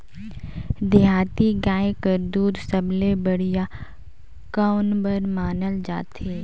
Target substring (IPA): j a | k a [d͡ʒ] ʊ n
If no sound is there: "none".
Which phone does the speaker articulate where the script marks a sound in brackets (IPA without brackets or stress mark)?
none